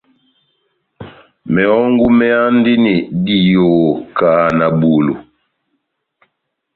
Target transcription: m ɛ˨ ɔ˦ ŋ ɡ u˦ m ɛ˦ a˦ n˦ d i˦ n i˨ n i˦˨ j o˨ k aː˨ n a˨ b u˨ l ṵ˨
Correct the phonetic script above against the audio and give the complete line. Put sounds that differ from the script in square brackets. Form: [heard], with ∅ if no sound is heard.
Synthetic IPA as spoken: m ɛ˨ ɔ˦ ŋ ɡ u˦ m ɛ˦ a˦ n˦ d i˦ n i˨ [d] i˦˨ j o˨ k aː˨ n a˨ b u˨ l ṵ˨